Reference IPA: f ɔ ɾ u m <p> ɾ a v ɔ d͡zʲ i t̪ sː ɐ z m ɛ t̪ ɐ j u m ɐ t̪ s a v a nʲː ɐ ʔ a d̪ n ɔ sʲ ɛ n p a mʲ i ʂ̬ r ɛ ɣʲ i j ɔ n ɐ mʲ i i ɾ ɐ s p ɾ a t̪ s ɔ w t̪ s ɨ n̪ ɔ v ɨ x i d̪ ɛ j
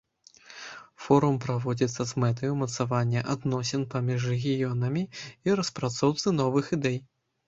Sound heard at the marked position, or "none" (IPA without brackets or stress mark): p